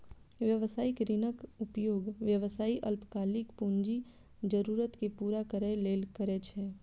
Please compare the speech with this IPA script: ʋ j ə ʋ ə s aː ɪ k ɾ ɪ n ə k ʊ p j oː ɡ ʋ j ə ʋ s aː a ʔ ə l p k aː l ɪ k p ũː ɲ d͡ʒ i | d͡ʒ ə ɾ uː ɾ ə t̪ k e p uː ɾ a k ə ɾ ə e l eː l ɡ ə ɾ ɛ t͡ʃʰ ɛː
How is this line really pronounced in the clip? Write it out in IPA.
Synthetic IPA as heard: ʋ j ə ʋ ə s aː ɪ k ɾ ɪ n ə k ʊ p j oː ɡ ʋ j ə ʋ s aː i ʔ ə l p k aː l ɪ k p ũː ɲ d͡ʒ i | d͡ʒ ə ɾ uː ɾ ə t̪ k e p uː ɾ a k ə ɾ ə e l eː l k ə ɾ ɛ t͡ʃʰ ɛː